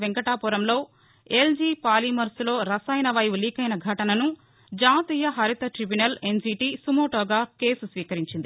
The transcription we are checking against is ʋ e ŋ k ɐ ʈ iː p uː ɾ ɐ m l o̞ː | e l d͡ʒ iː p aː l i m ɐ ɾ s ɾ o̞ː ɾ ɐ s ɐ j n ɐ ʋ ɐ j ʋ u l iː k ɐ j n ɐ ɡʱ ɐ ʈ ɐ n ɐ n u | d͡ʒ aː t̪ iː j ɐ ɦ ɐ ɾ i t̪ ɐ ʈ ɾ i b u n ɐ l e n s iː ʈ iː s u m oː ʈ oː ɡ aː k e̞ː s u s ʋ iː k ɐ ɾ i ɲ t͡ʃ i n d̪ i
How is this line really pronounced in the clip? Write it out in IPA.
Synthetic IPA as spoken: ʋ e ŋ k ɐ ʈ aː p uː ɾ ɐ m l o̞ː | e l d͡ʒ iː p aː l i m ɐ ɾ s l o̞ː ɾ ɐ s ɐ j n ɐ ʋ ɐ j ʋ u l iː k ɐ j n ɐ ɡʱ ɐ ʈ ɐ n ɐ n u | d͡ʒ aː t̪ iː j ɐ ɦ ɐ ɾ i t̪ ɐ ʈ ɾ i b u n ɐ l e n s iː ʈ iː s u m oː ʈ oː ɡ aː k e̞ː s u s ʋ iː k ɐ ɾ i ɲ t͡ʃ i n d̪ i